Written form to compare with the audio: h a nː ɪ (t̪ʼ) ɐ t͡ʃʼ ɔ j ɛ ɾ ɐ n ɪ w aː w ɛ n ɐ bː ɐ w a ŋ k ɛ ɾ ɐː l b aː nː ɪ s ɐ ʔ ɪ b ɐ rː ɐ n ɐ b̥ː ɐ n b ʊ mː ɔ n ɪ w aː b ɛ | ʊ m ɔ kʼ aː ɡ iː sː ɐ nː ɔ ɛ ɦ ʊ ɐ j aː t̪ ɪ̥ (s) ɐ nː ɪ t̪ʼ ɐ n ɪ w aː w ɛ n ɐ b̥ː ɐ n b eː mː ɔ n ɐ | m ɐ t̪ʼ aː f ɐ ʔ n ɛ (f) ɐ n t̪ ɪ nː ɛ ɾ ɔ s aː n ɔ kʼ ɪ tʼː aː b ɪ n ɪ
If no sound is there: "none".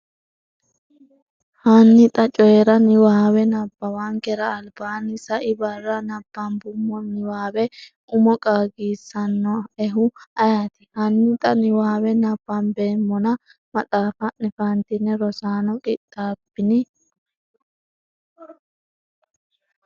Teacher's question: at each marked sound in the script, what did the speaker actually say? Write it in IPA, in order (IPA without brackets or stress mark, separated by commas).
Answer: t̪ʼ, h, f